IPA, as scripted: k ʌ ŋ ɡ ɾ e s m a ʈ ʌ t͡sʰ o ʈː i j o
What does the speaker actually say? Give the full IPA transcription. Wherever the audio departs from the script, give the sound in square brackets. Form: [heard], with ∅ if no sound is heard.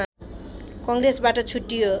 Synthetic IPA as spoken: k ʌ ŋ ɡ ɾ e s [b] a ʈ ʌ t͡sʰ [u] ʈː i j o